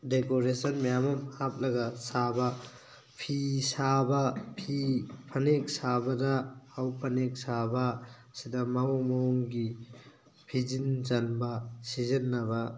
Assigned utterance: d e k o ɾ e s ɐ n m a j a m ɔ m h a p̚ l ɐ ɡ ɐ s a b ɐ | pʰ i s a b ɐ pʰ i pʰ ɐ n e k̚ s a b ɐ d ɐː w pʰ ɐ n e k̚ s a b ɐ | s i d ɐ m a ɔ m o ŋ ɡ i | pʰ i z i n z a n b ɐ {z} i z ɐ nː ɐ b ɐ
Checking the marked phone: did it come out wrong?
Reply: yes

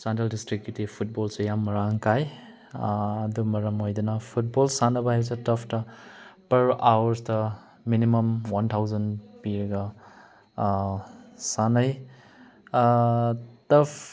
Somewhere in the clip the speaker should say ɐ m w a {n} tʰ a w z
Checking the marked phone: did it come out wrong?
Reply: no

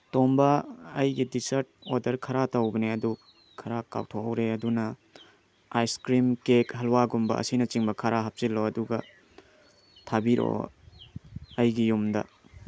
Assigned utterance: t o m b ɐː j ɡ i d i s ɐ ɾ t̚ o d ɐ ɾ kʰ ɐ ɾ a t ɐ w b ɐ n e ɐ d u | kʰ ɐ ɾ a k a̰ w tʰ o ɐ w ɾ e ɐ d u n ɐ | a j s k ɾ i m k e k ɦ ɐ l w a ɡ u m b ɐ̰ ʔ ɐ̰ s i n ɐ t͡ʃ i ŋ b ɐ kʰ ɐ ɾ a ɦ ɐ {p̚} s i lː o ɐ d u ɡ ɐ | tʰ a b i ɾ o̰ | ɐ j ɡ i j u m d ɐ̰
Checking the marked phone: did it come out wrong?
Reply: no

